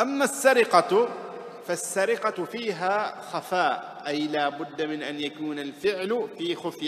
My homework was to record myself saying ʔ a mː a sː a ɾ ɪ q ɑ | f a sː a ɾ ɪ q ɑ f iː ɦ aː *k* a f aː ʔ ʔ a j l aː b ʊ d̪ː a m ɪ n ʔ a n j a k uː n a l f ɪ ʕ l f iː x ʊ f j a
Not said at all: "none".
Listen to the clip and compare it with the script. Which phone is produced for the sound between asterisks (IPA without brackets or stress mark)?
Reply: x